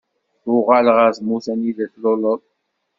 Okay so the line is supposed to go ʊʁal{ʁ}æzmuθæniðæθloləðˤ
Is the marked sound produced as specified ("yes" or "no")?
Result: yes